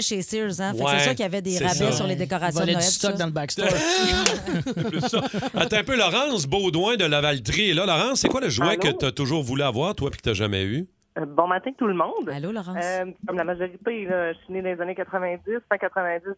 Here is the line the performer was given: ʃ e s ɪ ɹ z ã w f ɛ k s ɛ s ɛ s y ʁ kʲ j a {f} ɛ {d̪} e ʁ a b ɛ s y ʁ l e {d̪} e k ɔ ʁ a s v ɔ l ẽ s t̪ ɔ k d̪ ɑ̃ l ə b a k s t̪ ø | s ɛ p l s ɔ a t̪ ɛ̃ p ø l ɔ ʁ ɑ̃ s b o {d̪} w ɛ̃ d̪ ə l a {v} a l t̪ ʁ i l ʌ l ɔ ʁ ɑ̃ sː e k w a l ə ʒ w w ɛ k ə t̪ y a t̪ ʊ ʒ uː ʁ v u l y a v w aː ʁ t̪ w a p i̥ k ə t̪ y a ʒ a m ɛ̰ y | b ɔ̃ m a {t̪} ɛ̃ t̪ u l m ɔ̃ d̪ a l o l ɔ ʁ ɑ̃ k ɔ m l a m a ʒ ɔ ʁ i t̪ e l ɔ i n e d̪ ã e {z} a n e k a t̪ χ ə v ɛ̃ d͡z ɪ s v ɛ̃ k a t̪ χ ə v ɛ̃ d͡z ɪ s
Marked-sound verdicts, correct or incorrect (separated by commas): incorrect, correct, correct, correct, correct, correct, correct